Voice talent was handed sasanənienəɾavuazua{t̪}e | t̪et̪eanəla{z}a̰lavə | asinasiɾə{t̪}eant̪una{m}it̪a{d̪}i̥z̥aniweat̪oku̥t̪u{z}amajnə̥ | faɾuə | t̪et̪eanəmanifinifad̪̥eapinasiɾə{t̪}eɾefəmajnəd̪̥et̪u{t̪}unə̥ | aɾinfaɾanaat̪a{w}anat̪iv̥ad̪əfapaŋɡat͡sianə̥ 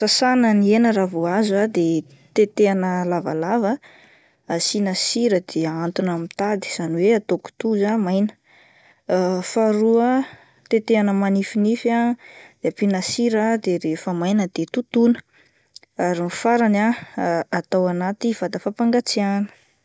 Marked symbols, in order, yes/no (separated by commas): no, no, no, yes, yes, yes, no, yes, yes